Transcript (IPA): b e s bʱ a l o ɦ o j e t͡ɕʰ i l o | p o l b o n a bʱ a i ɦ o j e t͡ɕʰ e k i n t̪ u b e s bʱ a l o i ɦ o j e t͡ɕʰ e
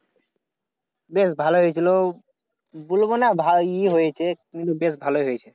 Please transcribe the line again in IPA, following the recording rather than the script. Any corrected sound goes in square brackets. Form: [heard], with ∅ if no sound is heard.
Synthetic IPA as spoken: b e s bʱ a l o ɦ o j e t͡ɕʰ i l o | [b] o l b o n a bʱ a i ɦ o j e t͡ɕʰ e k i n t̪ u b e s bʱ a l o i ɦ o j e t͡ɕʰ e